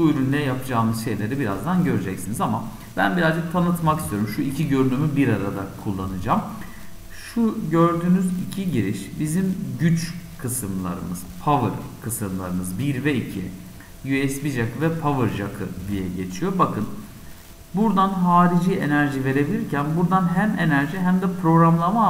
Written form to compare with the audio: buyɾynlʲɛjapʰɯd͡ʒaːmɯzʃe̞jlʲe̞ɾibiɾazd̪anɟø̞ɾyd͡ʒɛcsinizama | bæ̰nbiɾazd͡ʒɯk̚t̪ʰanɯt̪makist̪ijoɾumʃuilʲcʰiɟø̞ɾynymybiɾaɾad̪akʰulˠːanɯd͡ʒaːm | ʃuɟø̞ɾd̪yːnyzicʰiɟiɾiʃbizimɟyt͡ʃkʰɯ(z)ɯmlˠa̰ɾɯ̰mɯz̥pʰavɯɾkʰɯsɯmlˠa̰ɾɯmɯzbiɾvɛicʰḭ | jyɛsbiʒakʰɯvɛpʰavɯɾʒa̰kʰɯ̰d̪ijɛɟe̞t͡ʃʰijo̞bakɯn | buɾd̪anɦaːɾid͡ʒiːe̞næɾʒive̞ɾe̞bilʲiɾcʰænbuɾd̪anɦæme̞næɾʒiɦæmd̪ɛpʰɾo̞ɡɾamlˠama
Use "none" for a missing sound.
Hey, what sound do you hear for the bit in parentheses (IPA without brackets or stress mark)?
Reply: s